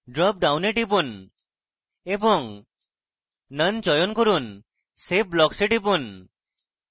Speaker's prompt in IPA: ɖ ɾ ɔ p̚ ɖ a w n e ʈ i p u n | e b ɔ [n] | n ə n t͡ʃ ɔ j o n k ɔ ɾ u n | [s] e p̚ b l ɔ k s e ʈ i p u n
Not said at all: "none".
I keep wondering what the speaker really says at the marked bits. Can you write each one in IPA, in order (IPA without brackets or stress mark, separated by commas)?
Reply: ŋ, s